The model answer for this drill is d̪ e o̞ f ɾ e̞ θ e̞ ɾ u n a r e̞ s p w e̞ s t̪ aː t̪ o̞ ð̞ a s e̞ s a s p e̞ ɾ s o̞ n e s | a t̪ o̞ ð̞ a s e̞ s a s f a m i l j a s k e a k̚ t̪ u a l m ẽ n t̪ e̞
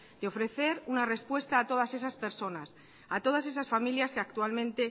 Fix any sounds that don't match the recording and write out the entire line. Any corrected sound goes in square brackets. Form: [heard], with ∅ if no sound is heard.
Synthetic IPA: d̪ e o̞ f ɾ e̞ θ e̞ ɾ u n a r e̞ s p w e̞ s t̪ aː t̪ o̞ ð̞ a s e̞ s a s p e̞ ɾ s o̞ n [a] s | a t̪ o̞ ð̞ a s e̞ s a s f a m i l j a s k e a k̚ t̪ u a l m ẽ n t̪ e̞